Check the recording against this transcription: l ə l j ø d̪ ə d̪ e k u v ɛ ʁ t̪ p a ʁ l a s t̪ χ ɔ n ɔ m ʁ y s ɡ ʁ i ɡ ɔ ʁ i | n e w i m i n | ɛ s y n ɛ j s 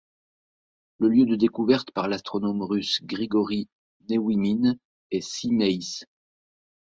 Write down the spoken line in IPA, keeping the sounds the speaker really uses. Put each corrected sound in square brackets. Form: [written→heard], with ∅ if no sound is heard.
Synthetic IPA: l ə l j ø d̪ ə d̪ e k u v ɛ ʁ t̪ p a ʁ l a s t̪ χ ɔ n ɔ m ʁ y s ɡ ʁ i ɡ ɔ ʁ i | n e w i m i n | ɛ s [y→i] n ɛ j s